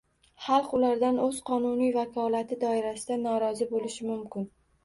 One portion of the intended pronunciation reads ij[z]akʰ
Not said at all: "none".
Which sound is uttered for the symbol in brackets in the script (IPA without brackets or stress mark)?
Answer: v